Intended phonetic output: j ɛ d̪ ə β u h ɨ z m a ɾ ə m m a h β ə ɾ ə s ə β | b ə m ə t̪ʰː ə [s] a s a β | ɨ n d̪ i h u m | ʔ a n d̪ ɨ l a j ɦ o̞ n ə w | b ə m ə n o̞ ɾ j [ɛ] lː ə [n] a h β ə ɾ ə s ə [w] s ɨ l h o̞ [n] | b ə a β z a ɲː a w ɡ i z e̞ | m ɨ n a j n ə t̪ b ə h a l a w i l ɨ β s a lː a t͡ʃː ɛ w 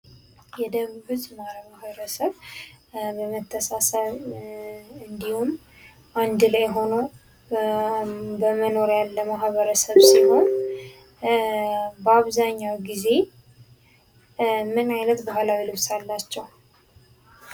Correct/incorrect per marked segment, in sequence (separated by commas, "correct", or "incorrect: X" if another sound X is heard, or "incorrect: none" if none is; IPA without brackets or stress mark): correct, incorrect: a, incorrect: m, incorrect: β, correct